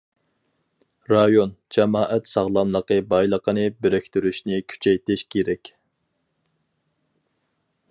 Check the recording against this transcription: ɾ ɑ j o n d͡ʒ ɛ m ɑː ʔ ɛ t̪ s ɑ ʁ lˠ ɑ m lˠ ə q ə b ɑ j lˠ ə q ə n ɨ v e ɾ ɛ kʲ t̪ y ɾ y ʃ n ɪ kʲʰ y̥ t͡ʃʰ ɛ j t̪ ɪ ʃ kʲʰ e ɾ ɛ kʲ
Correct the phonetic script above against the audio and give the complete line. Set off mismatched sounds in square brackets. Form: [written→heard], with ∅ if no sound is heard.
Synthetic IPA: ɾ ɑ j o n d͡ʒ ɛ m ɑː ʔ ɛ t̪ s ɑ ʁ lˠ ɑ m lˠ ə q ə b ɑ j lˠ ə q ə n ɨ [v→b] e ɾ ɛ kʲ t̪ y ɾ y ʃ n ɪ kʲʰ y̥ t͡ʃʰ ɛ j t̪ ɪ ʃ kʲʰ e ɾ ɛ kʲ